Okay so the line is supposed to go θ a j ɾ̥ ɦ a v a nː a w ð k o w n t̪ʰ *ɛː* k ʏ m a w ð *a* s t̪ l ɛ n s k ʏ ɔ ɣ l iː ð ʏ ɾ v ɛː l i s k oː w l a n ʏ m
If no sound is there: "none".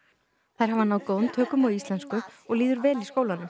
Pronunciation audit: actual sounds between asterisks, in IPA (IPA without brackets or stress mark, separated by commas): œː, i